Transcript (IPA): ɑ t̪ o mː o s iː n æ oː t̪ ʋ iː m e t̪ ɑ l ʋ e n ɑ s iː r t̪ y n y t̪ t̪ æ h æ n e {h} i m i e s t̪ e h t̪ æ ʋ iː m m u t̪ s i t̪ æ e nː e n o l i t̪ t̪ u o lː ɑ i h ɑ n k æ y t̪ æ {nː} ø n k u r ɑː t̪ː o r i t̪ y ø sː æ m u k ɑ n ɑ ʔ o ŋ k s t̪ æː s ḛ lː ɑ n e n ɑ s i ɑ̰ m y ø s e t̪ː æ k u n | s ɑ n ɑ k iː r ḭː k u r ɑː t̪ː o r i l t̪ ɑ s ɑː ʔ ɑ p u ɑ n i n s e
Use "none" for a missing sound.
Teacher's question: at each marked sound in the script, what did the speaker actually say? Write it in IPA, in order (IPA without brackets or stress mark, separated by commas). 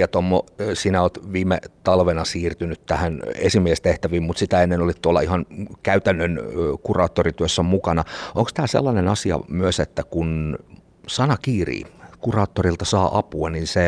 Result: s, nː